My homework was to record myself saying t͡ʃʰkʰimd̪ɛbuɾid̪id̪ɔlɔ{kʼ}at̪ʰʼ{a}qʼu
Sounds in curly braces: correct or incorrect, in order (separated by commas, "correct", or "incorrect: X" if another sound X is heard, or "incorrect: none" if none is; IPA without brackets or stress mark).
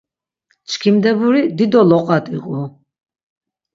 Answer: incorrect: qʼ, incorrect: i